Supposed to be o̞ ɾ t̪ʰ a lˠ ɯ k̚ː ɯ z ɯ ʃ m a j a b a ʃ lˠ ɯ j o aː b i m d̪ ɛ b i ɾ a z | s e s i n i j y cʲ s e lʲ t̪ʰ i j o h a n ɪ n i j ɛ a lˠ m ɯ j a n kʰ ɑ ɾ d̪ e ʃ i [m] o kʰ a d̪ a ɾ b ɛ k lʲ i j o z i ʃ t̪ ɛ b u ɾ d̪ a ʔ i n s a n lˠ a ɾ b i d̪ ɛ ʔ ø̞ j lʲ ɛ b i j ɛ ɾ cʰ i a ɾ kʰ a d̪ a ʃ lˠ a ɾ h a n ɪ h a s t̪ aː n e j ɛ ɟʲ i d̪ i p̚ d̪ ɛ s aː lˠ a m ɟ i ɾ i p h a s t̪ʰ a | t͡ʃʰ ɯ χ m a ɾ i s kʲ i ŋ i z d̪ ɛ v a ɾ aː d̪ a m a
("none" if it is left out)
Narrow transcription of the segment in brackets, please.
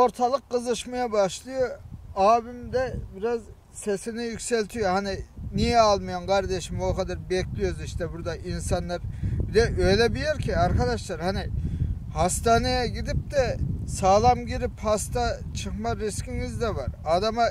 m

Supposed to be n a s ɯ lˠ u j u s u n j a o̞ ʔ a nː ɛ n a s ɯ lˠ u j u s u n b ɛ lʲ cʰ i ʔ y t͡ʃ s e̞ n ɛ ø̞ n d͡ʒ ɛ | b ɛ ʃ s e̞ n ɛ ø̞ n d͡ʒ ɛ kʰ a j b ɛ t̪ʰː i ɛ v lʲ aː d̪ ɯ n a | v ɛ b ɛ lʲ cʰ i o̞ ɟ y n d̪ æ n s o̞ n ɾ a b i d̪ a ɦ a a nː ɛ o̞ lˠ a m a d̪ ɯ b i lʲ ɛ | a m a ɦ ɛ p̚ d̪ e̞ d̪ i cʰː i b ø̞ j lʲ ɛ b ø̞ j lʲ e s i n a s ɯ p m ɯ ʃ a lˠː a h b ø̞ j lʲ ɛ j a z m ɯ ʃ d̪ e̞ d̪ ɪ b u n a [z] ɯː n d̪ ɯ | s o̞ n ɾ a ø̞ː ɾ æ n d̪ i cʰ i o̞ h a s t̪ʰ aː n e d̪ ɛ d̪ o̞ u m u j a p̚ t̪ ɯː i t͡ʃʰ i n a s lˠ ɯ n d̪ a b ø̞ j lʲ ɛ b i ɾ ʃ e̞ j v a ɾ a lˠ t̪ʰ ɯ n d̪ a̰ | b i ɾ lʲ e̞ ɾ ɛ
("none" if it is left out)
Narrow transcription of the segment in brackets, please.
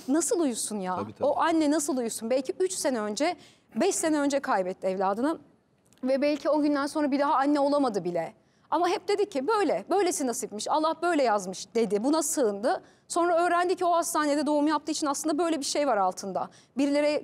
s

